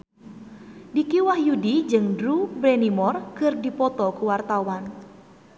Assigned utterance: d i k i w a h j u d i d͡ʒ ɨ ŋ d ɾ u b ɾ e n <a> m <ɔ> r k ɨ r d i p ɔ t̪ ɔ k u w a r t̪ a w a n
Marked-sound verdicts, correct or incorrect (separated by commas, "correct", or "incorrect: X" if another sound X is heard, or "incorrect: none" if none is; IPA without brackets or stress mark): incorrect: i, correct